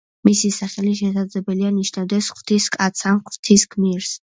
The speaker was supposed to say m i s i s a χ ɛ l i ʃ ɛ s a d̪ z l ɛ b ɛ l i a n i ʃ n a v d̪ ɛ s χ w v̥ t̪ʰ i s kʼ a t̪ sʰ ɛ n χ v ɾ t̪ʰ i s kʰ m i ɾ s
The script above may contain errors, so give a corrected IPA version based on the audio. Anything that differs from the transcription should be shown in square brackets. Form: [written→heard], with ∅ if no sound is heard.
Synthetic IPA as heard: m i s i s a χ ɛ l i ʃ ɛ s a d̪ z l ɛ b ɛ l i a n i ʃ n a v d̪ ɛ s χ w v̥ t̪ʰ i s kʼ a t̪ sʰ [ɛ→a] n χ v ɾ t̪ʰ i s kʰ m i ɾ s